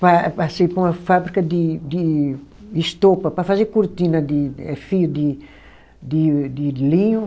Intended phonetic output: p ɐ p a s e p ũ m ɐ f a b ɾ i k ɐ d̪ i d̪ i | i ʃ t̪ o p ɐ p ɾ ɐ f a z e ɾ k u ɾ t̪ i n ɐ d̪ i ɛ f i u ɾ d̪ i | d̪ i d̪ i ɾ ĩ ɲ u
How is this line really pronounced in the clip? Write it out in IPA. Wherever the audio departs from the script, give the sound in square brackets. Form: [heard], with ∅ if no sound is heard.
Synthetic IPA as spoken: p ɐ p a s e p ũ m ɐ f a b ɾ i k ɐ d̪ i d̪ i | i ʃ t̪ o p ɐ p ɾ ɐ f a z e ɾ k u ɾ t̪ i n ɐ d̪ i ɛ f i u [∅] d̪ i | d̪ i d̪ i [l] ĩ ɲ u